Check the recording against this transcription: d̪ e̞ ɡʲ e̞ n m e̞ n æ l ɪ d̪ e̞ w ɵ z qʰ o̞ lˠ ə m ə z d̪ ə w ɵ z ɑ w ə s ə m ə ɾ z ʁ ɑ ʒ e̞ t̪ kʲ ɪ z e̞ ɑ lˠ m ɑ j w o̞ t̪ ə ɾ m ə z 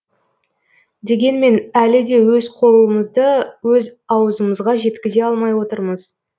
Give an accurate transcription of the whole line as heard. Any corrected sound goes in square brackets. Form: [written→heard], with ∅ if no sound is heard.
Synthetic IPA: d̪ e̞ ɡʲ e̞ n m e̞ n æ l ɪ d̪ e̞ w ɵ z qʰ o̞ lˠ ə m ə z d̪ ə w ɵ z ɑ w ə [s→z] ə m ə [ɾ→∅] z ʁ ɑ ʒ e̞ t̪ kʲ ɪ z e̞ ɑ lˠ m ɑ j w o̞ t̪ ə ɾ m ə z